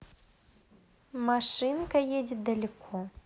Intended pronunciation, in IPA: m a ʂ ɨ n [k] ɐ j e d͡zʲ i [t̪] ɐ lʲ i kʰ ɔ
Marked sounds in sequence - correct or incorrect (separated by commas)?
correct, incorrect